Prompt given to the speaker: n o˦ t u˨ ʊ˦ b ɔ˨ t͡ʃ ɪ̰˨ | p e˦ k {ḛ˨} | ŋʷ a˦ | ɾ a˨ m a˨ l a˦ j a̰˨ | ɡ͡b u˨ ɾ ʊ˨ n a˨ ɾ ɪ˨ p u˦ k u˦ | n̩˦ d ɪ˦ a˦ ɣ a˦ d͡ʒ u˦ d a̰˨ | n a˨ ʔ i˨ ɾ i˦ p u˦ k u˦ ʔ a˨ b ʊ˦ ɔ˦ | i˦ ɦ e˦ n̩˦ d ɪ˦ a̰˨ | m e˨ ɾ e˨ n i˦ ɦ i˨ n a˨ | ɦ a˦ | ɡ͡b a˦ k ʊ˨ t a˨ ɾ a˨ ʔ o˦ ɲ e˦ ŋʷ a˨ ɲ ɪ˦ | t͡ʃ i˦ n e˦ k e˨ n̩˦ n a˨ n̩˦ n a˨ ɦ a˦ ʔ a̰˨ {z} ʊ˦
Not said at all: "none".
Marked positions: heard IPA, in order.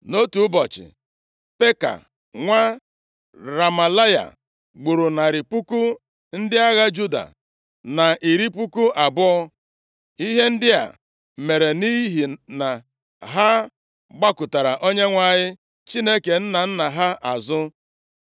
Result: a̰˨, z

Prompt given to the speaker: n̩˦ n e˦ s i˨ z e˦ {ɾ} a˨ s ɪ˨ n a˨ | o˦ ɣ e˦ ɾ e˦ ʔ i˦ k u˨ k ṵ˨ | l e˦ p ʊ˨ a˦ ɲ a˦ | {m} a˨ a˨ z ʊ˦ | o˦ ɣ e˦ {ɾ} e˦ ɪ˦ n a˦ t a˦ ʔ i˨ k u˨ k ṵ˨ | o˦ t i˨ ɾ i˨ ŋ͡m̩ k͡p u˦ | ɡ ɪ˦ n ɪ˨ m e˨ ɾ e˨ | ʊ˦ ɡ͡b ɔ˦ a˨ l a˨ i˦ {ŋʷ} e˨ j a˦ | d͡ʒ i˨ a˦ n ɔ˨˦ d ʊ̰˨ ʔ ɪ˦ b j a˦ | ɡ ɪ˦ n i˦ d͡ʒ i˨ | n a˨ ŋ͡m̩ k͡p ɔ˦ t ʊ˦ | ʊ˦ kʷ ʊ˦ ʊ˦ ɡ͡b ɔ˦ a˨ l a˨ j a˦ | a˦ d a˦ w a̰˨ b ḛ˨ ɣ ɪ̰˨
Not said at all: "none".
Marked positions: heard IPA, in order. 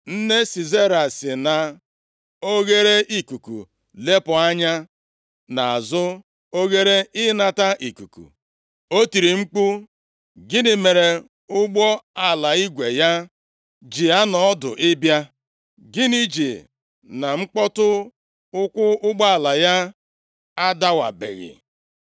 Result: ɾ, n, ɾ, ɡʷ

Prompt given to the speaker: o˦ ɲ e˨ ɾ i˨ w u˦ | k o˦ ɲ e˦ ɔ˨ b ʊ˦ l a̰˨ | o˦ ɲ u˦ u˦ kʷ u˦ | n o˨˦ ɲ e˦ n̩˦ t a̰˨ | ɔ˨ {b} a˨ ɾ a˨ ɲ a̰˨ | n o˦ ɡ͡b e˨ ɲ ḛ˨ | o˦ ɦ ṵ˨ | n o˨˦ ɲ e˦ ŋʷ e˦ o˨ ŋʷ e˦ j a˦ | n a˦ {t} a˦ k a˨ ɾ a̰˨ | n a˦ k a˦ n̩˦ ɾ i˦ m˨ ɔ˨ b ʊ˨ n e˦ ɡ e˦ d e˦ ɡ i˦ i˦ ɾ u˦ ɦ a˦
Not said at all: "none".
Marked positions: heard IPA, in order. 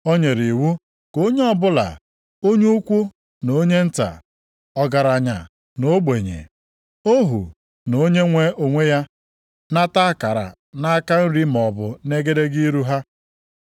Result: ɡ, t

